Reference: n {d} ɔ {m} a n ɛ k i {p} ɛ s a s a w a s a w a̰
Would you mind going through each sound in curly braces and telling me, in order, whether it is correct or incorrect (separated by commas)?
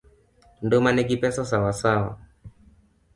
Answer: correct, correct, correct